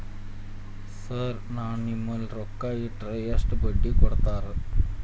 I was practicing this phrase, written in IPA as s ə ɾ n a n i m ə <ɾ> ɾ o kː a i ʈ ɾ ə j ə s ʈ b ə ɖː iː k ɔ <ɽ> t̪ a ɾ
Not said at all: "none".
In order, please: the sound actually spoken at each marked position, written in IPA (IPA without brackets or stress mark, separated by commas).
l, ɽ